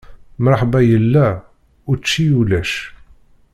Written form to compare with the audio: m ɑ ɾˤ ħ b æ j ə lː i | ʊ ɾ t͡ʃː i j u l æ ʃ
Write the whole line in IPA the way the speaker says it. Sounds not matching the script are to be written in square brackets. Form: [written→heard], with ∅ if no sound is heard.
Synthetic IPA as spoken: m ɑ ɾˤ ħ b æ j ə lː [i→æ] | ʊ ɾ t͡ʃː i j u l æ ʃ

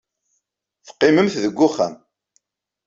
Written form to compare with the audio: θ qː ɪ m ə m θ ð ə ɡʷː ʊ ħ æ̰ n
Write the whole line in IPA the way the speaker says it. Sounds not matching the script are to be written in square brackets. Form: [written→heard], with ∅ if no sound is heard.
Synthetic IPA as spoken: θ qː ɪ m ə m θ ð ə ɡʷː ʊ [ħ→χ] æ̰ [n→m]

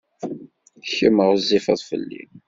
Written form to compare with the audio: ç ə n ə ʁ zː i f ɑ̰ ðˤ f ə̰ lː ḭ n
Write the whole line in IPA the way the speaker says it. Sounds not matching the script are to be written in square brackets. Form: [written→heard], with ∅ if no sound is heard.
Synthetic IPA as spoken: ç ə [n→m] ə ʁ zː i f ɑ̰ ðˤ f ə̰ lː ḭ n

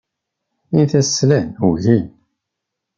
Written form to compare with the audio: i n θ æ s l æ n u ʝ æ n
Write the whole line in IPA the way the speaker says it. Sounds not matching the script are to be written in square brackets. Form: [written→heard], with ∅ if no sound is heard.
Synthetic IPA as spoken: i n θ æ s l æ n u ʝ [æ→i] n

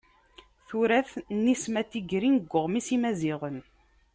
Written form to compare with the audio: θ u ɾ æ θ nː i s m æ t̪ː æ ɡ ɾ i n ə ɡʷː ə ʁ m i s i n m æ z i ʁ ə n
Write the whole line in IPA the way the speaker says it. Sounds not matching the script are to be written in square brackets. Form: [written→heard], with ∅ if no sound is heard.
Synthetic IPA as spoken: θ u ɾ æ θ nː i s m æ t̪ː [æ→i] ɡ ɾ i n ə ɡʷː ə ʁ m i s i [n→∅] m æ z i ʁ ə n

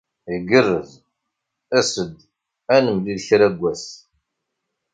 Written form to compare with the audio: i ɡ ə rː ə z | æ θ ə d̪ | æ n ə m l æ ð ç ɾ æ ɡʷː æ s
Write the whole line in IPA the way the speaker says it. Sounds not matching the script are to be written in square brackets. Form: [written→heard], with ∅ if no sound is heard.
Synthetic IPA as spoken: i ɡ ə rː ə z | æ [θ→s] ə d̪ | æ n ə m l [æ→i] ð ç ɾ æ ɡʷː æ s

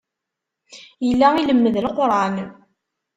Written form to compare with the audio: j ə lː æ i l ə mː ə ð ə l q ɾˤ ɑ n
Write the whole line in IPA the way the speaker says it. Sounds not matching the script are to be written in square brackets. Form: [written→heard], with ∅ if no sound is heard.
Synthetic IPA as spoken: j ə lː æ i l ə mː ə ð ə l q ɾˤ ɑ n

